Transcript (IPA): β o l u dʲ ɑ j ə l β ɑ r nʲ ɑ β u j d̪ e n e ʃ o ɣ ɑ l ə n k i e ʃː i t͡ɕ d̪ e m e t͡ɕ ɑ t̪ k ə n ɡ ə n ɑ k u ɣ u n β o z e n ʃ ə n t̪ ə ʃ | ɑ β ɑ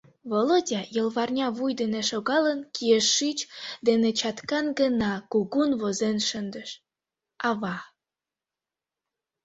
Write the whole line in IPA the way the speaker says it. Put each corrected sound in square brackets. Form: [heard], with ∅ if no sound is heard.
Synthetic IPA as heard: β o l [o] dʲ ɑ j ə l β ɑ r nʲ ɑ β u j d̪ e n e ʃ o ɣ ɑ l ə n k i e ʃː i t͡ɕ d̪ e [n] e t͡ɕ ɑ t̪ k [ɑ] n ɡ ə n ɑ k u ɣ u n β o z e n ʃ ə n [d̪] ə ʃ | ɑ β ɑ